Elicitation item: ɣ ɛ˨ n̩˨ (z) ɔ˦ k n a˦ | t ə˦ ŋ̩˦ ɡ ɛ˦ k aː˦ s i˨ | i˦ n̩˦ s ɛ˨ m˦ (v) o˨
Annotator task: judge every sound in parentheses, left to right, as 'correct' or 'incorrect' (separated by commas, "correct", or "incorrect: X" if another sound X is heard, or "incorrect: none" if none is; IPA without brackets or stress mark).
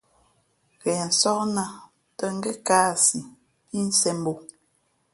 incorrect: s, incorrect: b